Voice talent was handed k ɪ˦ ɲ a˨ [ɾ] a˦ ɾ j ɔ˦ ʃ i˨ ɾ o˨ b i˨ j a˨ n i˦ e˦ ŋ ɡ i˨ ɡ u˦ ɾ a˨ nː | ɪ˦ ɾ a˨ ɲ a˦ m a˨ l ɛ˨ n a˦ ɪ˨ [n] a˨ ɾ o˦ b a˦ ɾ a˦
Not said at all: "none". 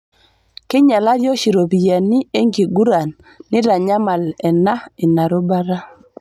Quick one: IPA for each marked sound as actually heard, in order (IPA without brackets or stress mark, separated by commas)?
l, n